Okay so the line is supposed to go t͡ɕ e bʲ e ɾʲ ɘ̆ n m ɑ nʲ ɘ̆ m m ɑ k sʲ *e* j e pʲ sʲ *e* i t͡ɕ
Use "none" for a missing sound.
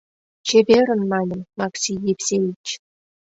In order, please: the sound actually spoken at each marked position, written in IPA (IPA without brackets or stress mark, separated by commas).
i, e